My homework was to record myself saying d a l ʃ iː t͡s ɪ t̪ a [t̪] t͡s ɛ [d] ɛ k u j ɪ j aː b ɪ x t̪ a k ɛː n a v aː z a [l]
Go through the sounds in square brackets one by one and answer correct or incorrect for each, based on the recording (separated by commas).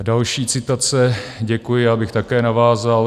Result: incorrect, incorrect, correct